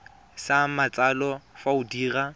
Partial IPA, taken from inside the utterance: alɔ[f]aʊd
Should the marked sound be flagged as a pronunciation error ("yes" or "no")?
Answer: no